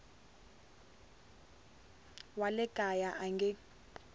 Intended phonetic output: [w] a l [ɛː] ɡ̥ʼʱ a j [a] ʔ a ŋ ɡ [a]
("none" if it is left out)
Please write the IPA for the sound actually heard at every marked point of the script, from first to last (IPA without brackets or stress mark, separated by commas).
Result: w, ɛ, a, ɛ